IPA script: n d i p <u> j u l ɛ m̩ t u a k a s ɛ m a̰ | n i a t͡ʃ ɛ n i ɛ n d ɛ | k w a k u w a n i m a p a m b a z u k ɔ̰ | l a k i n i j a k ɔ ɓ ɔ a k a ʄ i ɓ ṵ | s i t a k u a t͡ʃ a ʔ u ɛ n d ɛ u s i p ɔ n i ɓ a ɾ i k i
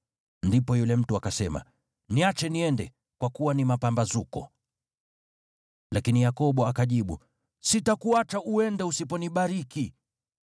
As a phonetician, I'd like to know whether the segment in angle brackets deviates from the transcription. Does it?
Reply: yes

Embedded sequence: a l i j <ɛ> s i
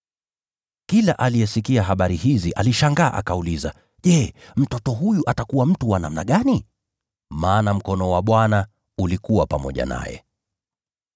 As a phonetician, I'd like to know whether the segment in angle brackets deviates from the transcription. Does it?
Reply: no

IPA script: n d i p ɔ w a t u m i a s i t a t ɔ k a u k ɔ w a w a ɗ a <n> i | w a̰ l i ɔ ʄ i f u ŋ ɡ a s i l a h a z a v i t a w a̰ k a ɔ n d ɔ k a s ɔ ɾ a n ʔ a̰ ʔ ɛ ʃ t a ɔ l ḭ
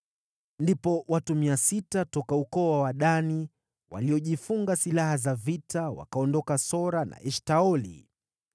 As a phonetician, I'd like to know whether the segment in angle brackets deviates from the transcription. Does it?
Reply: no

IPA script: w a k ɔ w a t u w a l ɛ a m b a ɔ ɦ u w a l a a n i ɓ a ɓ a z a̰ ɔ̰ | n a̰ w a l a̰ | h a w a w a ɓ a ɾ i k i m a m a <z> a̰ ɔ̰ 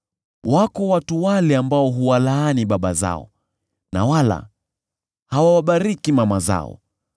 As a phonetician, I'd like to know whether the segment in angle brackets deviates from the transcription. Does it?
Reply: no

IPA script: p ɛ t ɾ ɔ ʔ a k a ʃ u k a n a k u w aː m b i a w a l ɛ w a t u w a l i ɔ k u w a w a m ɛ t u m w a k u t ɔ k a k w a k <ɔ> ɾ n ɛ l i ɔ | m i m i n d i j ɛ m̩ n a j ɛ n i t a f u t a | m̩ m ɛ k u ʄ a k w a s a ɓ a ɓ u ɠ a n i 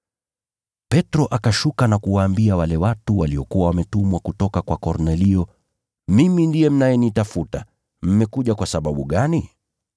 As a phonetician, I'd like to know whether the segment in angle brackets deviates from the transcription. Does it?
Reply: no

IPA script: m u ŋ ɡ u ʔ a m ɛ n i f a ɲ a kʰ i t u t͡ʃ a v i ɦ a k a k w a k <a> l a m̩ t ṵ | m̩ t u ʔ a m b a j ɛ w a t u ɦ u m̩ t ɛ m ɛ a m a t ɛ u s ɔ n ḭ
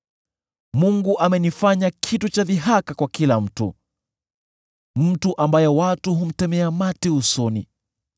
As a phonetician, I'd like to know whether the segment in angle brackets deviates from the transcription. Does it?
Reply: yes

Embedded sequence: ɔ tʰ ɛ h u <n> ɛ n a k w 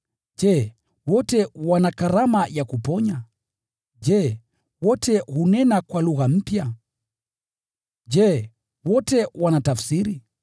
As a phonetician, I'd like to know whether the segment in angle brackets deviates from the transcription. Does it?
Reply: no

